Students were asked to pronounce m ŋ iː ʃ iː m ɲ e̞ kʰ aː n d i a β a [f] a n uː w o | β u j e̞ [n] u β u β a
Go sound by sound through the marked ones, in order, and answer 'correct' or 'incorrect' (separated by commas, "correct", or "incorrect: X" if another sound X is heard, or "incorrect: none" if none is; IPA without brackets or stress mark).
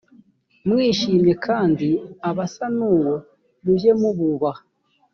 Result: incorrect: s, incorrect: m